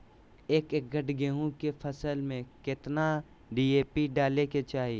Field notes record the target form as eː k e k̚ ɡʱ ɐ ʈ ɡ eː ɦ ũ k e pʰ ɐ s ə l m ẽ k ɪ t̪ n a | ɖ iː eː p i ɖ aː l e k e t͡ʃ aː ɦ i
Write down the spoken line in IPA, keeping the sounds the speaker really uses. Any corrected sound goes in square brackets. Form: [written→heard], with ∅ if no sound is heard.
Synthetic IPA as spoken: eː k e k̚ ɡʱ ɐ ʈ ɡ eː ɦ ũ k e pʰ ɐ s ə l m ẽ k ɪ t̪ n a | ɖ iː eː p i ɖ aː l e k e t͡ʃ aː ɦ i